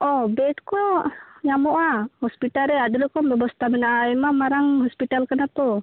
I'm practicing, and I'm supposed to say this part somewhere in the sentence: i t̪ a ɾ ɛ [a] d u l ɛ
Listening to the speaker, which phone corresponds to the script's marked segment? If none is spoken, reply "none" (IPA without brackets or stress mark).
a